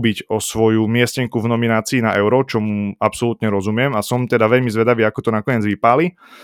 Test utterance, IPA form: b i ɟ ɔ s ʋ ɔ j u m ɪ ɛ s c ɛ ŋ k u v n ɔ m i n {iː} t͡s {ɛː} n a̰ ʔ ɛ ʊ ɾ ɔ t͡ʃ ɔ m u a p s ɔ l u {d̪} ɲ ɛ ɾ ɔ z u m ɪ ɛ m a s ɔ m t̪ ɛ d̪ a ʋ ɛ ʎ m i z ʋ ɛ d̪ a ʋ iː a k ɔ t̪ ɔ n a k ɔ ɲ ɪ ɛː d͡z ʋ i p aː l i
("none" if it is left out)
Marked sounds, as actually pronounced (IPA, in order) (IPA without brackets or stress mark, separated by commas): aː, iː, t̪